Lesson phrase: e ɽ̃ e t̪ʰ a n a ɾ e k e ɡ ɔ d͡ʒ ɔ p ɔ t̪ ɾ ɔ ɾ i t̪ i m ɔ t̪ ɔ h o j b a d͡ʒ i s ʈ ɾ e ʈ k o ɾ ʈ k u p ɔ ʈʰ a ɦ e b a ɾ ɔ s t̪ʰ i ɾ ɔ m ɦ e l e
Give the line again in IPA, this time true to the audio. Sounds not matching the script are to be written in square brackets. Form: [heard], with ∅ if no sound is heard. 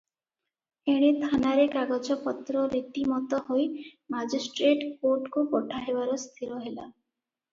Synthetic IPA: e ɽ̃ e t̪ʰ a n a ɾ e k [a] ɡ ɔ d͡ʒ ɔ p ɔ t̪ ɾ ɔ ɾ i t̪ i m ɔ t̪ ɔ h o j [m] a d͡ʒ i s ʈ ɾ e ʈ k o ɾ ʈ k u p ɔ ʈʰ a ɦ e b a ɾ ɔ s t̪ʰ i ɾ ɔ [∅] ɦ e l [a]